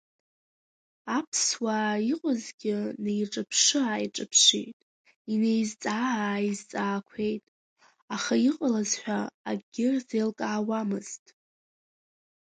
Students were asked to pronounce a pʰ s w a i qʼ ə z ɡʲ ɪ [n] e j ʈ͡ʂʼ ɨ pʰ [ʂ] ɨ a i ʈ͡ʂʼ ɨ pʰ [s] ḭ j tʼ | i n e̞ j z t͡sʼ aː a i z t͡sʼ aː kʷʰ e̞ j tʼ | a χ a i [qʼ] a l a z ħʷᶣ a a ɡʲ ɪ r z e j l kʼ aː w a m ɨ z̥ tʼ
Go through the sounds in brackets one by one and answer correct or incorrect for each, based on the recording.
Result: correct, correct, incorrect, correct

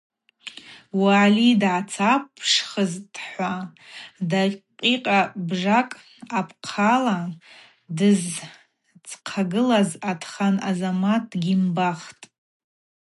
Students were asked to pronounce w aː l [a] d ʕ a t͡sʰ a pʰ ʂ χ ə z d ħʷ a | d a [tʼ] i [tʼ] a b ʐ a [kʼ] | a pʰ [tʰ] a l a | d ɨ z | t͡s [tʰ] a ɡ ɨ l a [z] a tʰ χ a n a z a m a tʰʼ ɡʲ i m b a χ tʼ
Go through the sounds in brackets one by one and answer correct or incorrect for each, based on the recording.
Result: incorrect, incorrect, incorrect, correct, incorrect, incorrect, correct

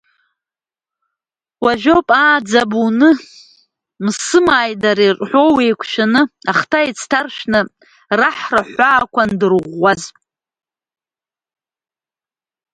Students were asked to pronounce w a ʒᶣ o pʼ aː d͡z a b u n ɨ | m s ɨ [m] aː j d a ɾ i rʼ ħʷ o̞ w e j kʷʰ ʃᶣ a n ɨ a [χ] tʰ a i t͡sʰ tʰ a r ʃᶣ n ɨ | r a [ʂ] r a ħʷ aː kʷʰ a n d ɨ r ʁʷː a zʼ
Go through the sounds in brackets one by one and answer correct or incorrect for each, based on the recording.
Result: correct, correct, incorrect

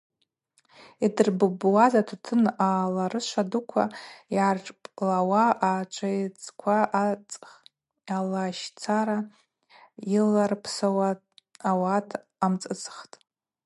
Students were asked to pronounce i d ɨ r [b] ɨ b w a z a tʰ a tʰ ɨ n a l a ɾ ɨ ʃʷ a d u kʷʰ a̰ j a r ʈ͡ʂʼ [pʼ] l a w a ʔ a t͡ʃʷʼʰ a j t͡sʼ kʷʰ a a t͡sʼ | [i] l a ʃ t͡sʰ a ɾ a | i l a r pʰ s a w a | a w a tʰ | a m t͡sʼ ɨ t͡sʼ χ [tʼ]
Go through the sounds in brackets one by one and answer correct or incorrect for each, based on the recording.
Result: correct, correct, incorrect, correct

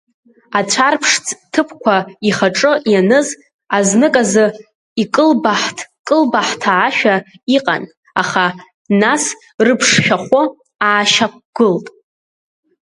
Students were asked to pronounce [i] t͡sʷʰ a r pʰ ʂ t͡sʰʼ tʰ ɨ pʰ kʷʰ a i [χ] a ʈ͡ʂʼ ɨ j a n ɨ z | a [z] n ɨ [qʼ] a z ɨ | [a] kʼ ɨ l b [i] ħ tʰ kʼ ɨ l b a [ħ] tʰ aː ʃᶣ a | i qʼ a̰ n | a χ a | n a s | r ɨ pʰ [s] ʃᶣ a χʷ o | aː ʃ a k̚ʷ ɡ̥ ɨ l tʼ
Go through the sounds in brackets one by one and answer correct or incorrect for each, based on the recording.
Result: incorrect, correct, correct, incorrect, incorrect, incorrect, correct, incorrect

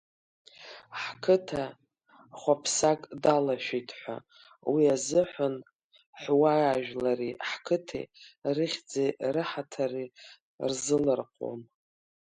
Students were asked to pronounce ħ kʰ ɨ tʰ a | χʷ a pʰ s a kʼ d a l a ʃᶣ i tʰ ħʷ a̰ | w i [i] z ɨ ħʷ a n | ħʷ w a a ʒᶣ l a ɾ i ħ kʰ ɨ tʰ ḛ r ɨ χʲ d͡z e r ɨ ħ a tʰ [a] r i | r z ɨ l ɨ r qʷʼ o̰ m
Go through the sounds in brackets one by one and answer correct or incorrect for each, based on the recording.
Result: incorrect, correct

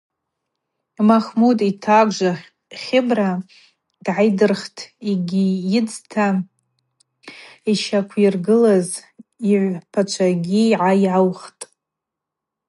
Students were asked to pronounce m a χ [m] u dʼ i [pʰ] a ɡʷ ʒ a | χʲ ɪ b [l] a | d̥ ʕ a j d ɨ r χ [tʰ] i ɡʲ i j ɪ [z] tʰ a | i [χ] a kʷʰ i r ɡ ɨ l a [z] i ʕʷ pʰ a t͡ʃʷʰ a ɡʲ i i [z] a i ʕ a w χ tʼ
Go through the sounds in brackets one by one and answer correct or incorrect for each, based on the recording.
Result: correct, incorrect, incorrect, correct, incorrect, incorrect, correct, incorrect

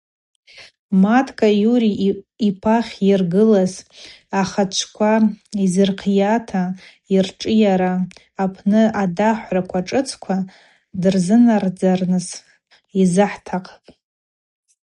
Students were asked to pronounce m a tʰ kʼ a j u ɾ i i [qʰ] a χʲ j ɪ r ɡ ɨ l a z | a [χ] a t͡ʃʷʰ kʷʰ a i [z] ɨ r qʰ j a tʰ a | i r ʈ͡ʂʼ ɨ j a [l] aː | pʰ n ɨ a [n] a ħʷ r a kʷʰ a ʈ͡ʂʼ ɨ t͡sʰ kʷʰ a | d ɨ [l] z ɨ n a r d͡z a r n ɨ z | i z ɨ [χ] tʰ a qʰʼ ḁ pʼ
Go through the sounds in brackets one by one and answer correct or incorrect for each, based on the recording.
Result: incorrect, correct, correct, incorrect, incorrect, incorrect, incorrect

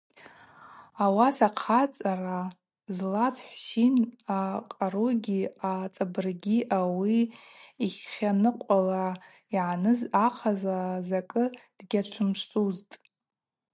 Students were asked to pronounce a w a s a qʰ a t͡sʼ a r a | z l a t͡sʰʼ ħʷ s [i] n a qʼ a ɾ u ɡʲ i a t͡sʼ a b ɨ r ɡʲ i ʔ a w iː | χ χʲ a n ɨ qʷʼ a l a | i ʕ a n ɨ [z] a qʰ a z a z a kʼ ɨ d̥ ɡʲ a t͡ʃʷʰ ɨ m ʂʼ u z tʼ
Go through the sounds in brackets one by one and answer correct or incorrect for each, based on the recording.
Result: correct, correct

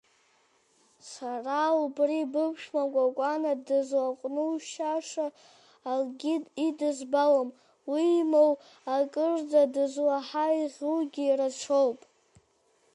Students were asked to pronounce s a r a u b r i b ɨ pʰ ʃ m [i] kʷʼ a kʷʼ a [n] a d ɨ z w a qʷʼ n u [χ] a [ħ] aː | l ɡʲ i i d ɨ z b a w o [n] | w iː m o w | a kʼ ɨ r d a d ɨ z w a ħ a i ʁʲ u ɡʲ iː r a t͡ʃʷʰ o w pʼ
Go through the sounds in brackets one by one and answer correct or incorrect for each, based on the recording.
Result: incorrect, correct, incorrect, incorrect, incorrect

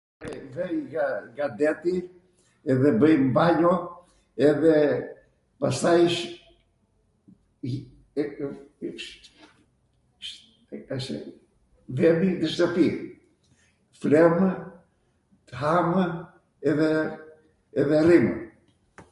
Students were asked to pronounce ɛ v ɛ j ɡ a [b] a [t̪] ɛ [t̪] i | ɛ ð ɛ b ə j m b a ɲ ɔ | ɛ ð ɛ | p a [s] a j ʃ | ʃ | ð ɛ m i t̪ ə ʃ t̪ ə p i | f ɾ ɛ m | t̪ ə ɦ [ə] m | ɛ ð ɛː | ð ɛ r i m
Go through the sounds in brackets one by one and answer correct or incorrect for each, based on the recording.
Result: incorrect, incorrect, correct, correct, incorrect

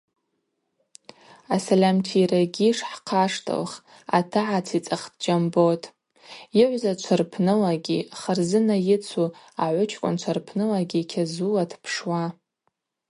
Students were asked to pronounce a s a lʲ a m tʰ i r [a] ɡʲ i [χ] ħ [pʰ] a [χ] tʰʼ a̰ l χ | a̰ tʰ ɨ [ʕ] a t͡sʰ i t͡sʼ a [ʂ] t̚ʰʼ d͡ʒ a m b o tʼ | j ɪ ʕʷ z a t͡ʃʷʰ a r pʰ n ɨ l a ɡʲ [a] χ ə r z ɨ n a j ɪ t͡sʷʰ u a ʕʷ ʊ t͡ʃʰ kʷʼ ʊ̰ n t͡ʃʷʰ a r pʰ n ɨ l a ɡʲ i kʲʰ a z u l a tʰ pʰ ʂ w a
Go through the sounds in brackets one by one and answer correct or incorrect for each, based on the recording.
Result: correct, incorrect, incorrect, incorrect, correct, incorrect, incorrect

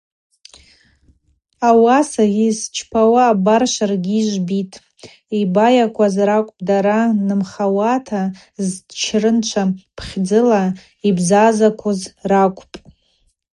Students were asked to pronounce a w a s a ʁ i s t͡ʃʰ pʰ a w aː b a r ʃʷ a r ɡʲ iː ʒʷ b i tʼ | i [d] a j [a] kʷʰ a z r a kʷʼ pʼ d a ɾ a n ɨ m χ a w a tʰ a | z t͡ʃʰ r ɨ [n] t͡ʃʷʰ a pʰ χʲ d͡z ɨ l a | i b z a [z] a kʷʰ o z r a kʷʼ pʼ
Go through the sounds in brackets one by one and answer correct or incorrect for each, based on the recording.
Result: incorrect, correct, correct, correct

